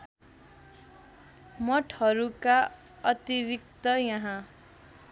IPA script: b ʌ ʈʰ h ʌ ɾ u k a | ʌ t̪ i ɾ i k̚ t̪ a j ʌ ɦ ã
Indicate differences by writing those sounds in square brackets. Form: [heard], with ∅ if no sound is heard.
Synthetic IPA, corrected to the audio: [m] ʌ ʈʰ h ʌ ɾ u k a | ʌ t̪ i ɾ i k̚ t̪ [ʌ] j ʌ ɦ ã

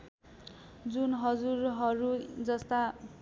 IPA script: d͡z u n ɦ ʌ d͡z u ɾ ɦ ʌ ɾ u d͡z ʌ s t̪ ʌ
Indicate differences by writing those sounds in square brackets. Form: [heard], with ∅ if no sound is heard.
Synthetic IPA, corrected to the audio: d͡z u n ɦ ʌ d͡z u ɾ ɦ ʌ ɾ u d͡z ʌ s t̪ [a]

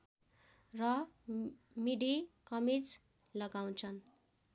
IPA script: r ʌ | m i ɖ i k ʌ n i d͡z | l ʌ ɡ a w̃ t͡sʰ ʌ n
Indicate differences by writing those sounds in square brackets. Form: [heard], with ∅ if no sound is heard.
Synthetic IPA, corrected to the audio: r ʌ | m i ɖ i k ʌ [m] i d͡z | l ʌ ɡ a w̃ t͡sʰ ʌ n

